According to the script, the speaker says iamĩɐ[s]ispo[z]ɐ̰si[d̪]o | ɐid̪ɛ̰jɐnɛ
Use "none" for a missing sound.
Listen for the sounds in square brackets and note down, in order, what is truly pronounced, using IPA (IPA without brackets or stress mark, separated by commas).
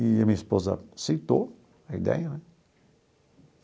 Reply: none, z, t̪